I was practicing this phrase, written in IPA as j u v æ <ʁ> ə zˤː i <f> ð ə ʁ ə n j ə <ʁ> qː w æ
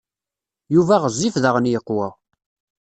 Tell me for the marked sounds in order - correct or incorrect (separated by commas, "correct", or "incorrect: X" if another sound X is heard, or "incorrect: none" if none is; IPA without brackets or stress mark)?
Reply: correct, correct, incorrect: none